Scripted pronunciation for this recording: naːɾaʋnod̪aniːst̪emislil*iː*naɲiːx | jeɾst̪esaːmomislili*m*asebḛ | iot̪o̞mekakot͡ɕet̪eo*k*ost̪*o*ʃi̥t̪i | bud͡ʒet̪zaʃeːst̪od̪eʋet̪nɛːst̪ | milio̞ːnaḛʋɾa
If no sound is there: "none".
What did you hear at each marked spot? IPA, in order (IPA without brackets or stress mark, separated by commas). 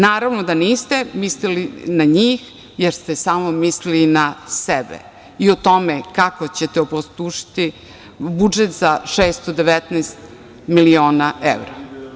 i, n, p, u